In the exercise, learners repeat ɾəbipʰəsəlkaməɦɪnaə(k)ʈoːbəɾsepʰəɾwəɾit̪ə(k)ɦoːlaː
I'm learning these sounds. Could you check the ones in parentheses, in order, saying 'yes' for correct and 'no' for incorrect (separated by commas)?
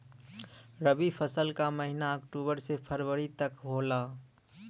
yes, yes